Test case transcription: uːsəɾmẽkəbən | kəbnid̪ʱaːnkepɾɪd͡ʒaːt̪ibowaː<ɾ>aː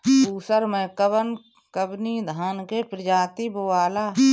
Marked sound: incorrect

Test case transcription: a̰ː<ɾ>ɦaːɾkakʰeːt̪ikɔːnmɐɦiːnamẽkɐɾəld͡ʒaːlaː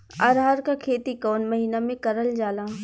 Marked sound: correct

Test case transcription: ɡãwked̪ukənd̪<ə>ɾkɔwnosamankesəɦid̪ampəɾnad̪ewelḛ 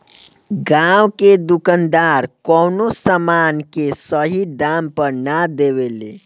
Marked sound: incorrect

